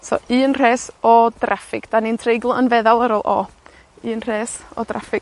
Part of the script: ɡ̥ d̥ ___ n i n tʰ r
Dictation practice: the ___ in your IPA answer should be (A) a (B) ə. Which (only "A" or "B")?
A